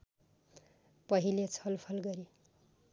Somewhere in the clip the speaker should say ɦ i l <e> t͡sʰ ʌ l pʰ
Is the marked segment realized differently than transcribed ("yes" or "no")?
no